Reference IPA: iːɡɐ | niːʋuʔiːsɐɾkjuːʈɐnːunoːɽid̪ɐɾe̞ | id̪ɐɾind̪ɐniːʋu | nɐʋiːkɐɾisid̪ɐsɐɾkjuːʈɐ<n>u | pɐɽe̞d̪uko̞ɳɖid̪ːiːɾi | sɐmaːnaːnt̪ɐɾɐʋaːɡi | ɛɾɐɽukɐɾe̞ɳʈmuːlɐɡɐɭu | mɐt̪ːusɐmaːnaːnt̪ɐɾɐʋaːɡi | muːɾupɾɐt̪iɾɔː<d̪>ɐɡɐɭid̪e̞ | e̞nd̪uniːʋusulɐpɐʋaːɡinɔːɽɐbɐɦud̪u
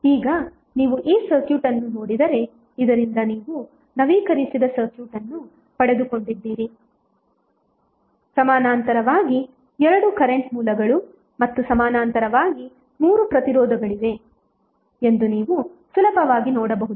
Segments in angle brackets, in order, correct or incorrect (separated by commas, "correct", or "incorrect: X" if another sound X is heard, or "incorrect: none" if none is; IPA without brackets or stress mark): incorrect: nː, correct